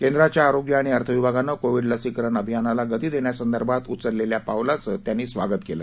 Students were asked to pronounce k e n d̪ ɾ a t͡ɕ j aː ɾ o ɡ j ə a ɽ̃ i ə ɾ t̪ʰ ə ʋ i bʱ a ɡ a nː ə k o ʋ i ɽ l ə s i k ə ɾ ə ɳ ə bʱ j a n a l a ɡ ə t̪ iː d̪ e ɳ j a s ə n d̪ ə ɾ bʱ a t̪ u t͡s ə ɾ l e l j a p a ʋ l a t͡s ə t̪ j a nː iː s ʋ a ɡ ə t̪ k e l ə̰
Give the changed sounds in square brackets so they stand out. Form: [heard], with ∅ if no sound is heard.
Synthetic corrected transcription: k e n d̪ ɾ a t͡ɕ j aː ɾ o ɡ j ə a ɽ̃ i ə ɾ t̪ʰ ə ʋ i bʱ a ɡ a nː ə k o ʋ i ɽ l ə s i k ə ɾ ə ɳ ə bʱ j a n a l a ɡ ə t̪ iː d̪ e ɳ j a s ə n d̪ ə ɾ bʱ a t̪ u t͡s ə ɾ l e l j a p a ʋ l a t͡s ə t̪ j a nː iː s ʋ a ɡ ə t̪ k e l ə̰